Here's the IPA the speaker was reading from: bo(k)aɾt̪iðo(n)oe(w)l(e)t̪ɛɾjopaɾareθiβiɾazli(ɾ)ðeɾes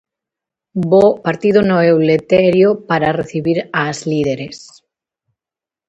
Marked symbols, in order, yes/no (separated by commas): no, yes, yes, yes, no